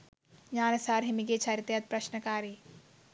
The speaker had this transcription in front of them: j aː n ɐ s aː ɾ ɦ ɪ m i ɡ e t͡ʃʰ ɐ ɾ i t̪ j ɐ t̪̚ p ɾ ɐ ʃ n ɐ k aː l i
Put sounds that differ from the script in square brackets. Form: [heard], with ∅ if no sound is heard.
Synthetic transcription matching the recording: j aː n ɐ s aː ɾ ɦ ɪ m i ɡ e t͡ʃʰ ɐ ɾ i t̪ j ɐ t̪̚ p ɾ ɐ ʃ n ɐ k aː [ɾ] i